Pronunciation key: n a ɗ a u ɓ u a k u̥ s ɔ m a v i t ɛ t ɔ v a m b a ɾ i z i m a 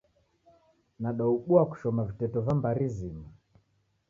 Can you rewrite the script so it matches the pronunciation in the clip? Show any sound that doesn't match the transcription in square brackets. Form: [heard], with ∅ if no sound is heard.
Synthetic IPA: n a ɗ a u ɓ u a k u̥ [ʃ] ɔ m a v i t ɛ t ɔ v a m b a ɾ i z i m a